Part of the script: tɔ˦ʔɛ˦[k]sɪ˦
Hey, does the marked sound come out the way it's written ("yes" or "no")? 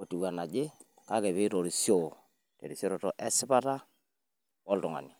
no